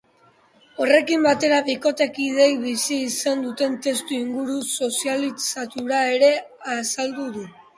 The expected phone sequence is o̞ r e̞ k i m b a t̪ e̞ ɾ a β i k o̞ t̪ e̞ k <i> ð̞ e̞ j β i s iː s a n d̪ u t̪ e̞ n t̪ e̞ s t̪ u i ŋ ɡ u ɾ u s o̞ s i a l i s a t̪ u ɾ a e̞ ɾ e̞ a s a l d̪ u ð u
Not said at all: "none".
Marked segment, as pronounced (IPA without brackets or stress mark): i